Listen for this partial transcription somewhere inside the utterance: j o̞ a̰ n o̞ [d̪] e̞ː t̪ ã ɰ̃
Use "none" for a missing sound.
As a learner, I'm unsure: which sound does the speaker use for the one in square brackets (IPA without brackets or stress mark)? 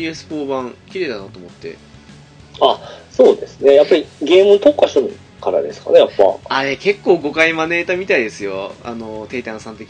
t̪